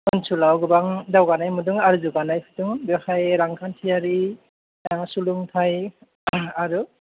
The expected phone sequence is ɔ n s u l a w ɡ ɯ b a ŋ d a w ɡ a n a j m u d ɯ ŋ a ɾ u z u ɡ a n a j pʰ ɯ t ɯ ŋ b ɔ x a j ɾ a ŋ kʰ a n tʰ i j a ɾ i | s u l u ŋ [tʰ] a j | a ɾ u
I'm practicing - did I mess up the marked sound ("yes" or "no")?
no